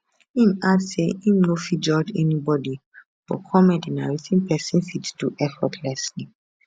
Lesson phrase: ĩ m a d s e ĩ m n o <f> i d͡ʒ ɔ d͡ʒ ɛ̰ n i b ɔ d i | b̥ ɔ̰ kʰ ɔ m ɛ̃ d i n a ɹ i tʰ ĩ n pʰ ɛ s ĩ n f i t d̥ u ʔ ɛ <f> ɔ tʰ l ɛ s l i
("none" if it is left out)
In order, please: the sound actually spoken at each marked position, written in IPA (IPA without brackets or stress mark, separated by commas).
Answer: f, f